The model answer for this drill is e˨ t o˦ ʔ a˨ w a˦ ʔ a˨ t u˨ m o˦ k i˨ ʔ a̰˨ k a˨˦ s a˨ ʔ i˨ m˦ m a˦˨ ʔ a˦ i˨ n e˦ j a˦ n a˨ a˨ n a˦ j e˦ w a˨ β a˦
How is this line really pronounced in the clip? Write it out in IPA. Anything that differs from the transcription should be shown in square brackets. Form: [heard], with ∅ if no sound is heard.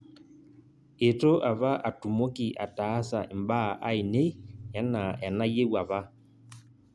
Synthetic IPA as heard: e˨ t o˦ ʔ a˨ [β] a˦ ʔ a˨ t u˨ m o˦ k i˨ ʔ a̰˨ [t] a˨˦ s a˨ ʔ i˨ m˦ [b] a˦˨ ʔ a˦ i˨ n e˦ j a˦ n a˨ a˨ n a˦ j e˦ w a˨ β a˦

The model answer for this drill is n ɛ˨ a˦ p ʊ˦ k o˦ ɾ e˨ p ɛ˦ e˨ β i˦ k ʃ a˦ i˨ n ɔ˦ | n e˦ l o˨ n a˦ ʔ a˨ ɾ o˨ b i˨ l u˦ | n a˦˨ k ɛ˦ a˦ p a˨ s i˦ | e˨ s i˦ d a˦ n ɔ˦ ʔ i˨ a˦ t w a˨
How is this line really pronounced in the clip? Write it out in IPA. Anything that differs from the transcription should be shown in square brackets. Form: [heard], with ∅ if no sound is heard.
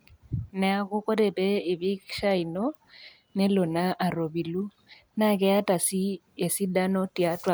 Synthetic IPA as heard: n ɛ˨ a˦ [k] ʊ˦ k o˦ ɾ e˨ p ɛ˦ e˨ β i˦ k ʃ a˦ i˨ n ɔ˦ | n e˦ l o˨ n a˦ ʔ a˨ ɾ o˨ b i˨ l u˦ | n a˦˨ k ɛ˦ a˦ [t] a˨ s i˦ | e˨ s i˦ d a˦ n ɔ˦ [t] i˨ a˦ t w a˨

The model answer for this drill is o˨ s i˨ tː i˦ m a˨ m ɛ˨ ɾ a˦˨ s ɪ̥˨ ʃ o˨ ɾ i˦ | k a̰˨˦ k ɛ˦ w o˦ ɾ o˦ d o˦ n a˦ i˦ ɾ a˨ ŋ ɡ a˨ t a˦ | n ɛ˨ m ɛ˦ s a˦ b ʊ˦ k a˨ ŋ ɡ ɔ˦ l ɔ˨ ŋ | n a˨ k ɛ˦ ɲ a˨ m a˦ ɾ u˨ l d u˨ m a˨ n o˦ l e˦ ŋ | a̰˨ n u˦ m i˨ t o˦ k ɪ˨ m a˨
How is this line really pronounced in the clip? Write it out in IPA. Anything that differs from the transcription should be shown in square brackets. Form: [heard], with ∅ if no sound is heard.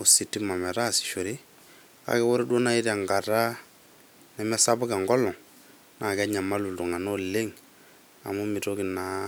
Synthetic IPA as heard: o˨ s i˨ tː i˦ m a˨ m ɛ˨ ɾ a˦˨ s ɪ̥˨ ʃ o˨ ɾ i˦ | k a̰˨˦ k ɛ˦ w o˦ ɾ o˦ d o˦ n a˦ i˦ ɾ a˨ ŋ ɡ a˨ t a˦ | n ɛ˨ m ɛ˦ s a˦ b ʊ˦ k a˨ ŋ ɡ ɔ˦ l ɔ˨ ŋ | n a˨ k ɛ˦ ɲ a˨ m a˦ [l] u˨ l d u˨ [ŋ] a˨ n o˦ l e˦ ŋ | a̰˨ [m] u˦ m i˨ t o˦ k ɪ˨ [n] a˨

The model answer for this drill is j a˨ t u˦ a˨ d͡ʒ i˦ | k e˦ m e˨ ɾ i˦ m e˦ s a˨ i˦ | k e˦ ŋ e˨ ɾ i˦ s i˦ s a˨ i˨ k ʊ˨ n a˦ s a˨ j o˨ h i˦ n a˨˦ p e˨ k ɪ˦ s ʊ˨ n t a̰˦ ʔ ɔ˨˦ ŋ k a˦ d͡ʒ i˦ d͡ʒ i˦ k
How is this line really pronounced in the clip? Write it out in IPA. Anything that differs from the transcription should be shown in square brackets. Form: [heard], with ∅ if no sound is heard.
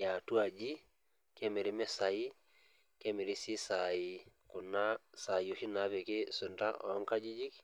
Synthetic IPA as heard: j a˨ t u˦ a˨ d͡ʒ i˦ | k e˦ m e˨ ɾ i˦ m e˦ s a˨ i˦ | k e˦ [m] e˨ ɾ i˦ s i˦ s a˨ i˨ k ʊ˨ n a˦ s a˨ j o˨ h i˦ n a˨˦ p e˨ k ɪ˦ s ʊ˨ n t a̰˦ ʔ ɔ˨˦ ŋ k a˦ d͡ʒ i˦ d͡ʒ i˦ k

